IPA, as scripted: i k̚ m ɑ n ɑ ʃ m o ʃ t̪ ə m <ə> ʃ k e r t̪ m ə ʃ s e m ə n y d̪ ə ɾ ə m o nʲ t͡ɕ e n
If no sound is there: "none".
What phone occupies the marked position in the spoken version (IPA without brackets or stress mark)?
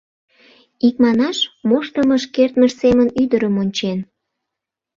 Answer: ə